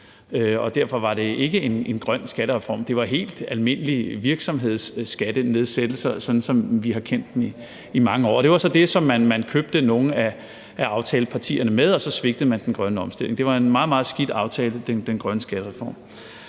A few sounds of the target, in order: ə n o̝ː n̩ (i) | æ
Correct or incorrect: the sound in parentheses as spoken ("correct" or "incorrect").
incorrect